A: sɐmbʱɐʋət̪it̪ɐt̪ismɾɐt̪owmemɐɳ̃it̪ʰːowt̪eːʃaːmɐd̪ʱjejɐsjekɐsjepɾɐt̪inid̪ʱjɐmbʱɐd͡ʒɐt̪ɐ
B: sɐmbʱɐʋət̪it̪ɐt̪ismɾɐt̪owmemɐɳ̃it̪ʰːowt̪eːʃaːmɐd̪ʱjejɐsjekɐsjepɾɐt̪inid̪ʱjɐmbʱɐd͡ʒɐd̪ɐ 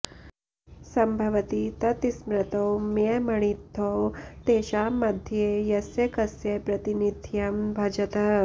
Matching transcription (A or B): A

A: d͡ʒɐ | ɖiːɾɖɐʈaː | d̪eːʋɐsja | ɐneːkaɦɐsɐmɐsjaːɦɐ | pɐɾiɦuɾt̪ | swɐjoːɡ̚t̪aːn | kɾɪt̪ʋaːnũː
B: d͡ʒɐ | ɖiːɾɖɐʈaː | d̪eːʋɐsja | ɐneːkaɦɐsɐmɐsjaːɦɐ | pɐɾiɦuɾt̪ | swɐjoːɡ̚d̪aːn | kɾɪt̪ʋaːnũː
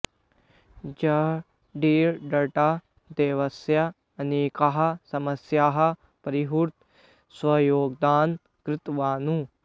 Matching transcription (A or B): B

